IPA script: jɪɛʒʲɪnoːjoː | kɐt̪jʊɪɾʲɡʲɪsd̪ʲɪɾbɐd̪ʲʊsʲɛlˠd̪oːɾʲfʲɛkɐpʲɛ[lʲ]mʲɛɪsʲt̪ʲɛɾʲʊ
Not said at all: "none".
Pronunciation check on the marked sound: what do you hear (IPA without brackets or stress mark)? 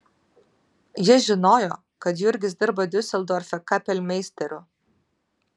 lʲ